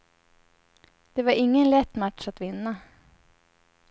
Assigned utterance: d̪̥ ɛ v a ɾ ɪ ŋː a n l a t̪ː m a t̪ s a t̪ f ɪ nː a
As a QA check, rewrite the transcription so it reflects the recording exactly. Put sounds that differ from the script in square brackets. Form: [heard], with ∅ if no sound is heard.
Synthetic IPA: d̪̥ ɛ v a ɾ ɪ ŋː [ə] n l [ɛ] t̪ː m a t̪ [ʂ] a t̪ [v] ɪ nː a